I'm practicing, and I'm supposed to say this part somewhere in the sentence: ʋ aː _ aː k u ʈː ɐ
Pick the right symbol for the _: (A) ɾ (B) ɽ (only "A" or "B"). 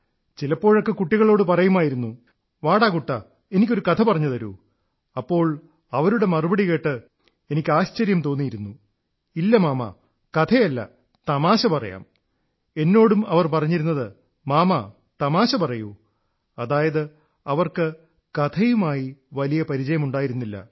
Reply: B